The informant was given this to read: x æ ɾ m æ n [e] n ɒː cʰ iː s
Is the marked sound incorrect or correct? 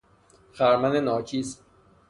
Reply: correct